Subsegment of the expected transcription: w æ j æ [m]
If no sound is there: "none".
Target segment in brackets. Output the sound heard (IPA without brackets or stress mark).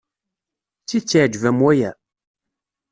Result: none